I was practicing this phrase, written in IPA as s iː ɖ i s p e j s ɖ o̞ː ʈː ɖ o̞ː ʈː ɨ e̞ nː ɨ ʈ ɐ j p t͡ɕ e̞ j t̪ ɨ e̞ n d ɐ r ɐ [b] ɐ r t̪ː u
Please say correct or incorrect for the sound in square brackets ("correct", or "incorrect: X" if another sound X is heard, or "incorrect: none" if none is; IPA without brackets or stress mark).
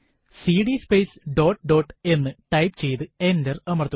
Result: incorrect: m